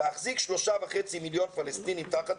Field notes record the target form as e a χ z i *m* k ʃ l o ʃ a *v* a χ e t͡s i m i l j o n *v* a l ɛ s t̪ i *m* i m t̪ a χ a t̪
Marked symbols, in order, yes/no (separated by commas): no, yes, no, no